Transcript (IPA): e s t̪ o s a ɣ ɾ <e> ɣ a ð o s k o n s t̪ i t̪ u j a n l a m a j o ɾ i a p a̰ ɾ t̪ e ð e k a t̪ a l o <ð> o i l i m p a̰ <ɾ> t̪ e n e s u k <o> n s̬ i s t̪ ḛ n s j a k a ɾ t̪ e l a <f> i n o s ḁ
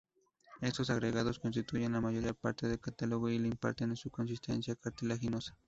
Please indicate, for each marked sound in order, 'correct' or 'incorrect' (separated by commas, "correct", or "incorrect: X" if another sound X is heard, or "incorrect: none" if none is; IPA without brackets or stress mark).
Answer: correct, incorrect: ɣ, correct, correct, incorrect: x